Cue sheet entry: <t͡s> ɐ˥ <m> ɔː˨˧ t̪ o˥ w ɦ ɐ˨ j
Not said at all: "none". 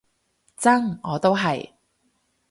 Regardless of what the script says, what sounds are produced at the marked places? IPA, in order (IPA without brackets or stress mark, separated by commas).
t͡s, ŋ